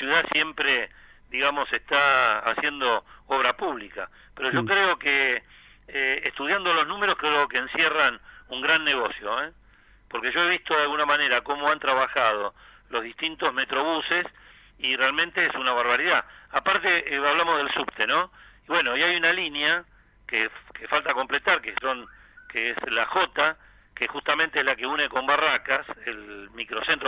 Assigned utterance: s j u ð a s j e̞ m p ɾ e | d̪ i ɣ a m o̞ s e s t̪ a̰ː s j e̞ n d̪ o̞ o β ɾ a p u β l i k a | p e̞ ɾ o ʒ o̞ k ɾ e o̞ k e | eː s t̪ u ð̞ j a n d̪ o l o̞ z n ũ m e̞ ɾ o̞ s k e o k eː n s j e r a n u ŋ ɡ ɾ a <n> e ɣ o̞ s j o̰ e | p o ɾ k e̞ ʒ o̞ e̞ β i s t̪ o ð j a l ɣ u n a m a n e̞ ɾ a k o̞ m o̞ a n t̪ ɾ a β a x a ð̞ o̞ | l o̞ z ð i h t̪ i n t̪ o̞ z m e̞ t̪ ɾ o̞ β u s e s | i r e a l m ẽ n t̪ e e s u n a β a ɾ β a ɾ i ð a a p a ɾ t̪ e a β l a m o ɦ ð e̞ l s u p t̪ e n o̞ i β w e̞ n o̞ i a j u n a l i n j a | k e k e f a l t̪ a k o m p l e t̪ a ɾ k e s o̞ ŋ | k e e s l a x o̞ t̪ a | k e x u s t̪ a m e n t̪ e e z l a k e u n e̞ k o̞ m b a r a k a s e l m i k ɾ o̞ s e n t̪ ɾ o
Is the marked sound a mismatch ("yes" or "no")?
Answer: yes